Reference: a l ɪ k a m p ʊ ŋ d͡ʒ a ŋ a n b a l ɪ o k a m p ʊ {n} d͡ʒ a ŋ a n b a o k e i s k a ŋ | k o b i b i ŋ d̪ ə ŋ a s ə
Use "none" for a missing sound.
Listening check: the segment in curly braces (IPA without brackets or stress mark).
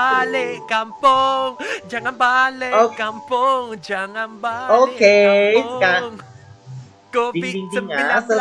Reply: ŋ